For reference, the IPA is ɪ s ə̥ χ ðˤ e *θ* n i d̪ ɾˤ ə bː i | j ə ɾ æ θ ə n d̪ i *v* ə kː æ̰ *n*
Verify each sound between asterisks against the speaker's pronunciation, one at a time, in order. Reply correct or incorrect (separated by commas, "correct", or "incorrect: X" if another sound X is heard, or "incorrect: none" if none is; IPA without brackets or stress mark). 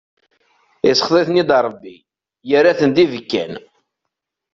correct, correct, correct